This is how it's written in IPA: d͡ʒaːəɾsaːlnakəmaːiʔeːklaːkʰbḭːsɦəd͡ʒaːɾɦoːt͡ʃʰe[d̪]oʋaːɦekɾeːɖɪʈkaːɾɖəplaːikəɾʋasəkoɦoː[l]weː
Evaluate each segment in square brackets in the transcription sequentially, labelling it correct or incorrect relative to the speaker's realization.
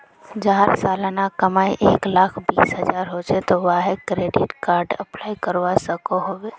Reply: incorrect: t̪, incorrect: none

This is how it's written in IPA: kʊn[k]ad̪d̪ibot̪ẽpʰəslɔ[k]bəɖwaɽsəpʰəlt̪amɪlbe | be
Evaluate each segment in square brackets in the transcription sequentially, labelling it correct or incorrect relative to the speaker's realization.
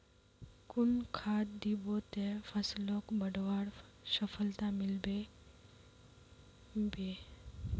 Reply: incorrect: kʰ, correct

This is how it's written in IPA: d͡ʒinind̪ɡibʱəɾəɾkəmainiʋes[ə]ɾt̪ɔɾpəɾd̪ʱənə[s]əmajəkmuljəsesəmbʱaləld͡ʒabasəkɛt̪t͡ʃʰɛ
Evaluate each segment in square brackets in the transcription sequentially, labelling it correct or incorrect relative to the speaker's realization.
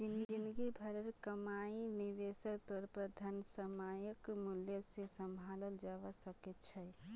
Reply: correct, correct

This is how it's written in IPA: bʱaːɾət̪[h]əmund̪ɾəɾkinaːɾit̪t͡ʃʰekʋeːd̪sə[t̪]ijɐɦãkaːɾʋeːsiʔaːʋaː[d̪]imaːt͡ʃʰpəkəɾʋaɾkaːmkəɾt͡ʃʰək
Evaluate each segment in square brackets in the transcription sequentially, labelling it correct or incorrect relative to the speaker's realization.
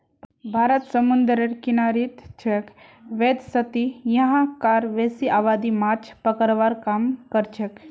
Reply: incorrect: s, correct, correct

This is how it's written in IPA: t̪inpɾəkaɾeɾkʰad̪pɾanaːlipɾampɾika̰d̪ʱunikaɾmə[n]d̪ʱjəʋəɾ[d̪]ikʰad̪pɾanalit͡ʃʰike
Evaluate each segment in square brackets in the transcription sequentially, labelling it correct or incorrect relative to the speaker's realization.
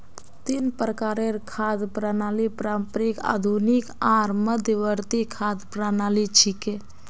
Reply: incorrect: none, incorrect: t̪

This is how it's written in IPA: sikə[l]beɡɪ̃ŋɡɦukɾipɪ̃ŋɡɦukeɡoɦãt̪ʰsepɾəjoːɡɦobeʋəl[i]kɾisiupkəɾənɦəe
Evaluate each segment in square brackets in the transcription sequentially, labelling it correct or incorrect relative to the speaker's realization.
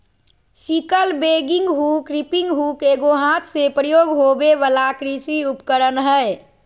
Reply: correct, incorrect: a

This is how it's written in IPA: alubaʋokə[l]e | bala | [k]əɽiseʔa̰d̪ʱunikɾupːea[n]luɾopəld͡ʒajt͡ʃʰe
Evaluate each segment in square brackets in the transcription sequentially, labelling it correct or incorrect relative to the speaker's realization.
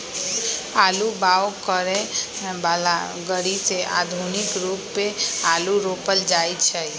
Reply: incorrect: ɾ, incorrect: ɡ, incorrect: none

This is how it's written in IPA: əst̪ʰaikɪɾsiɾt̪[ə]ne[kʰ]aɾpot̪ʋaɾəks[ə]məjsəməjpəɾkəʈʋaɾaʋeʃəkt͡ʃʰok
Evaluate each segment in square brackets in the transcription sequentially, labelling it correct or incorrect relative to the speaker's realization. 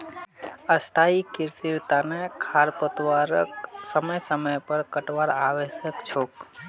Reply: incorrect: a, correct, correct

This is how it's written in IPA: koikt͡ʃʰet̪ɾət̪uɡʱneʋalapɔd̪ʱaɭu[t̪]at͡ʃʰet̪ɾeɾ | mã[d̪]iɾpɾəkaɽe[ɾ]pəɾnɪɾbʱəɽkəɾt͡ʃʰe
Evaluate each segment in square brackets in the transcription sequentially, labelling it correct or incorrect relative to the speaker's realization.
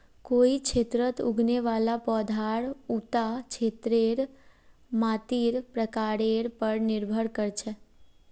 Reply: correct, incorrect: t̪, correct

